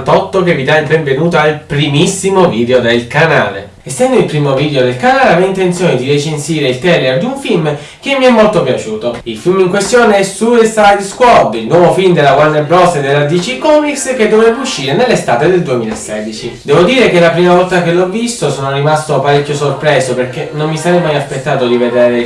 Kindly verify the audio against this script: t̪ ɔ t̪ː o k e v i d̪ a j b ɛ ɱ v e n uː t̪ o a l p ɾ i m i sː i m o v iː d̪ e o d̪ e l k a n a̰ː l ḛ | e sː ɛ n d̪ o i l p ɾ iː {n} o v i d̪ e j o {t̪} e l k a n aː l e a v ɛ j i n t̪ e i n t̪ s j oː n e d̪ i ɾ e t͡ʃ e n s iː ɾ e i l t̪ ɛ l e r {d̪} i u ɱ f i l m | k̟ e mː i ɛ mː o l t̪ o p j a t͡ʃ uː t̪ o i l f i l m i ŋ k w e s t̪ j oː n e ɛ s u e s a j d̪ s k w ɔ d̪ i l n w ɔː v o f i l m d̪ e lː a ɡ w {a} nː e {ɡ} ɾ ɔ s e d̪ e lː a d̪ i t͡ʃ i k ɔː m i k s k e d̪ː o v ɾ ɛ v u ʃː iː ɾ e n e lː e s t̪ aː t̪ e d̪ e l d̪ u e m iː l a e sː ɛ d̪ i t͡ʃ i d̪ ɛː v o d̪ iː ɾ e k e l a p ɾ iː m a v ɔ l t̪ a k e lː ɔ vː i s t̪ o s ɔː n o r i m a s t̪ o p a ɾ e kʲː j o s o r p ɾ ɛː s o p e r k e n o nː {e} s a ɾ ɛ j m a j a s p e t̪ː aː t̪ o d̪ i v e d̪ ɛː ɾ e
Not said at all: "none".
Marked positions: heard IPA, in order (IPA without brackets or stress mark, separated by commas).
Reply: m, d̪, d̪, a, b, i